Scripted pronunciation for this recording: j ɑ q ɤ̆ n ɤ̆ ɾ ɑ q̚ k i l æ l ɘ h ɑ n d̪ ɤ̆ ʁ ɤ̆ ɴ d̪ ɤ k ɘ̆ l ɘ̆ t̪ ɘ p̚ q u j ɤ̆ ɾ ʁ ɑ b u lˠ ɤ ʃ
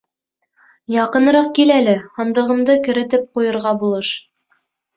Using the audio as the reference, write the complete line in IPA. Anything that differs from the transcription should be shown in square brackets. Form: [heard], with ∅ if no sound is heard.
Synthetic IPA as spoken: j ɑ q ɤ̆ n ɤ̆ ɾ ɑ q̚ k i l æ l ɘ h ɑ n d̪ ɤ̆ ʁ ɤ̆ [m] d̪ ɤ k ɘ̆ [ɾ] ɘ̆ t̪ ɘ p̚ q u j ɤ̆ ɾ ʁ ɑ b u lˠ ɤ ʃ